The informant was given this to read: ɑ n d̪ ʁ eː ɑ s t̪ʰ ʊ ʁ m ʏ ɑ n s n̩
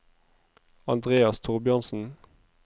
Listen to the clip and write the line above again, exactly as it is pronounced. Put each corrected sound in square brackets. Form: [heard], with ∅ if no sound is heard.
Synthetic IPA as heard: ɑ n d̪ ʁ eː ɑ s t̪ʰ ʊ ʁ [b] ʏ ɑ n s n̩